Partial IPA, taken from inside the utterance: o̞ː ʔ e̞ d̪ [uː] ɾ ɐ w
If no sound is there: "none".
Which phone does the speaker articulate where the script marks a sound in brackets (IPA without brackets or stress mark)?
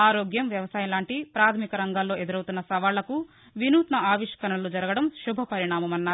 u